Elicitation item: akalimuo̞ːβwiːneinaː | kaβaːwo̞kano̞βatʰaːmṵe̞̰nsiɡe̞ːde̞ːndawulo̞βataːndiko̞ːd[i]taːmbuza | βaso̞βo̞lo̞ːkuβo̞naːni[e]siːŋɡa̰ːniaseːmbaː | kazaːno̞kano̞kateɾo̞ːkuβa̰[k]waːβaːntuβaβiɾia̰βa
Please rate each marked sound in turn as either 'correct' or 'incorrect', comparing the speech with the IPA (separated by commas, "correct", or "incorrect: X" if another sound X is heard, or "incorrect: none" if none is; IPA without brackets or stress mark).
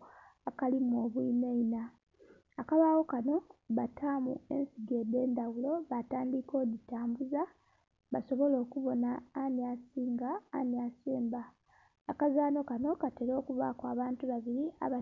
correct, incorrect: a, correct